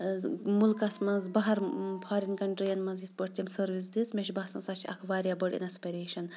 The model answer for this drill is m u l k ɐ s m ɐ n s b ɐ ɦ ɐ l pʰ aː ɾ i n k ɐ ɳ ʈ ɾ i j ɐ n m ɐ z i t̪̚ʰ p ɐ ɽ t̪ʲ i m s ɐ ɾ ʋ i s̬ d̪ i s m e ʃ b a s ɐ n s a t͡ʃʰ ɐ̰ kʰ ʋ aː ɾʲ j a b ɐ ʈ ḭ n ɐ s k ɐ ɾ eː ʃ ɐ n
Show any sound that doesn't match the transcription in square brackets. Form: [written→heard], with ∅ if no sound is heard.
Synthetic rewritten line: m u l k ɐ s m ɐ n [s→z] b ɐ ɦ ɐ [l→ɾ] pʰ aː ɾ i n k ɐ ɳ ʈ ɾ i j ɐ n m ɐ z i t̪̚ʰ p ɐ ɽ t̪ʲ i m s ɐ ɾ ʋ i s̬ d̪ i s m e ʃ b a s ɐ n s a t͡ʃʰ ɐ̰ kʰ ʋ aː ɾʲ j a b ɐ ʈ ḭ n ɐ s [k→p] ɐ ɾ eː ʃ ɐ n